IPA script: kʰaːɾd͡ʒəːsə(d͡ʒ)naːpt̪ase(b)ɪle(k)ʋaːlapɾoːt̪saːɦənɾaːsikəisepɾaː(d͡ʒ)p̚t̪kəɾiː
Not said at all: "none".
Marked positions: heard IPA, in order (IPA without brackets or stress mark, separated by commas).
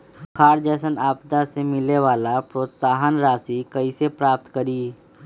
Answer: none, m, none, none